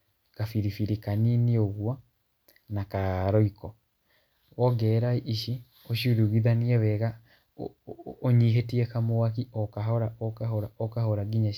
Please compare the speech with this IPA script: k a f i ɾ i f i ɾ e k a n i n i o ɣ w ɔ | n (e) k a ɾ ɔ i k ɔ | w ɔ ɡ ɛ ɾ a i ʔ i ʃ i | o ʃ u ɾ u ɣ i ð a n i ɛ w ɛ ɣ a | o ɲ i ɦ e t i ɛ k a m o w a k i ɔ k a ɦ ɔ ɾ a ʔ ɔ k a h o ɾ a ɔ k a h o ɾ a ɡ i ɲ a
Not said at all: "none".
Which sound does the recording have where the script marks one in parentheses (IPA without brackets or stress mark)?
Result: a